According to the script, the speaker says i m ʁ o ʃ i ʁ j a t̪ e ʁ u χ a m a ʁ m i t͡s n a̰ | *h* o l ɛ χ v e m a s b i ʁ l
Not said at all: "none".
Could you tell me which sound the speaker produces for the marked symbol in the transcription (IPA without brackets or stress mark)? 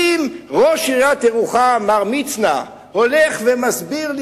h